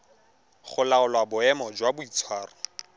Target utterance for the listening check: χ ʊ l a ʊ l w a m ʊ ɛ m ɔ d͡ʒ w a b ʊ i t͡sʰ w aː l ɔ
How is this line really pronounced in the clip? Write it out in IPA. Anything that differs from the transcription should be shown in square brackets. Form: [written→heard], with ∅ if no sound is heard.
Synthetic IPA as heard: χ ʊ l a ʊ l w a [m→b] ʊ ɛ m ɔ d͡ʒ w a b ʊ i t͡sʰ w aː [l→r] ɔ